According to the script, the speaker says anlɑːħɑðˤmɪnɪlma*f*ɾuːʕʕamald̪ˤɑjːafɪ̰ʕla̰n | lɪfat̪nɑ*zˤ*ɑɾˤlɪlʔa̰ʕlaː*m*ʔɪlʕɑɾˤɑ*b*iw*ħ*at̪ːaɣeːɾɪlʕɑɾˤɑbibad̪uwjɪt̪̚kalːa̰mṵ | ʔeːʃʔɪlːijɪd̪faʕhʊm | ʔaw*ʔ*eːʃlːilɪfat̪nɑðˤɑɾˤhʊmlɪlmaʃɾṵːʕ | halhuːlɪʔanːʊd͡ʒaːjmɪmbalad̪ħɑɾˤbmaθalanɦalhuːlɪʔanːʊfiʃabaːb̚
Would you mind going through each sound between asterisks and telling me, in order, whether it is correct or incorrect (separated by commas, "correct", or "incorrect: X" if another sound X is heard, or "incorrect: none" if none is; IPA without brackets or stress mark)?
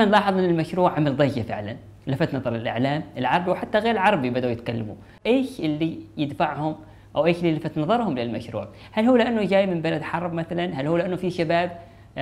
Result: incorrect: ʃ, incorrect: ðˤ, correct, correct, correct, correct